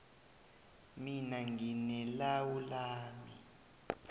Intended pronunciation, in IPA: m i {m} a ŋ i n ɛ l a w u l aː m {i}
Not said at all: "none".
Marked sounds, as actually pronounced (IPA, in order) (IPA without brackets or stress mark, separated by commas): n, i